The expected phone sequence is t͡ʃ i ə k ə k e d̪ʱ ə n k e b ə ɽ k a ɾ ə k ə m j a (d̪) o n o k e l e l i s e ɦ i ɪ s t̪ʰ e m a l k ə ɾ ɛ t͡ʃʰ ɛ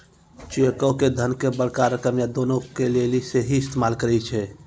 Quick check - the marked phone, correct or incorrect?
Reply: correct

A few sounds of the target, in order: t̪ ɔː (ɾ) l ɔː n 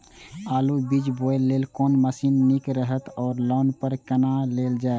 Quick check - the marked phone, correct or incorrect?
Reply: correct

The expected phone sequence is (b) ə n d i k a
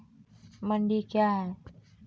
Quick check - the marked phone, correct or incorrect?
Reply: incorrect: m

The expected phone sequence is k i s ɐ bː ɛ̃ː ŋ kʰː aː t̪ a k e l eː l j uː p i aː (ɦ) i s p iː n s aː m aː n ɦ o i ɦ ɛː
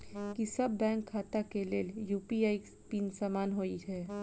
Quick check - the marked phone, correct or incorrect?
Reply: incorrect: none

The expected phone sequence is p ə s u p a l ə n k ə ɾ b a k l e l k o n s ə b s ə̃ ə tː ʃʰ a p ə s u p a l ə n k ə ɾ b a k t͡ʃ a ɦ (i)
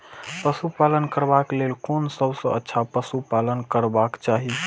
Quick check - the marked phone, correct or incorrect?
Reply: correct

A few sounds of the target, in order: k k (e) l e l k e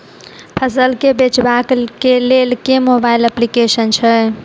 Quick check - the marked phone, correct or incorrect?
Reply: correct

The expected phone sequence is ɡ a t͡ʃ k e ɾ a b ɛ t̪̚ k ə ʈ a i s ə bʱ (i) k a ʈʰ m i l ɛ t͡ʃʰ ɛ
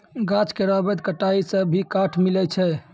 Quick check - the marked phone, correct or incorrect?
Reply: correct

